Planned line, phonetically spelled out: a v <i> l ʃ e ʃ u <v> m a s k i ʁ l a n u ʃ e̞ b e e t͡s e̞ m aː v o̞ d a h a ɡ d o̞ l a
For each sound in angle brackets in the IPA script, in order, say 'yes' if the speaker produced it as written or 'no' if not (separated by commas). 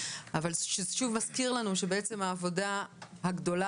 no, yes